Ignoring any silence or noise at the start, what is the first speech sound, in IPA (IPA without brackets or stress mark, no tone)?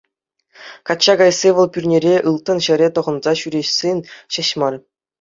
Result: k